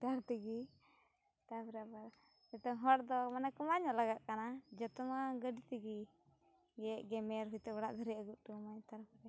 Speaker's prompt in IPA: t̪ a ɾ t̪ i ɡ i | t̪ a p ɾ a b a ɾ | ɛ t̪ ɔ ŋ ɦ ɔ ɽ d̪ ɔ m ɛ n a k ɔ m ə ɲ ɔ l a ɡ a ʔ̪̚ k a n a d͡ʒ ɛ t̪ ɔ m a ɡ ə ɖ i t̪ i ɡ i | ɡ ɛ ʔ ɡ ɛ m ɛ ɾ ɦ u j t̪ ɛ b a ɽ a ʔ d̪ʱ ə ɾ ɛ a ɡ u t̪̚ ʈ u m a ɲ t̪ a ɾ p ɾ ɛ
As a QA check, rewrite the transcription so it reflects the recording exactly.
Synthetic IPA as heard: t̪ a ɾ t̪ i ɡ i | t̪ a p ɾ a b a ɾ | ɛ t̪ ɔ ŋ ɦ ɔ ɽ d̪ ɔ m a n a k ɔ m a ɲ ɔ l a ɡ a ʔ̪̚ k a n a d͡ʒ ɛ t̪ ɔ m a ɡ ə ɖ i t̪ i ɡ i | ɡ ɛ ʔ ɡ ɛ m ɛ ɾ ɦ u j t̪ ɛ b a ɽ a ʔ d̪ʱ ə ɾ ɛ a ɡ u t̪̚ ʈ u m a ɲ t̪ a ɾ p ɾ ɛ